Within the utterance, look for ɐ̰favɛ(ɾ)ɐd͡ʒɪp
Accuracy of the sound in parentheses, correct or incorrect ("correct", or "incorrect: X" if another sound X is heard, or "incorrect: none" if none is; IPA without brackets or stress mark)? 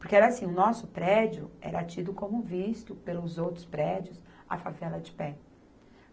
incorrect: l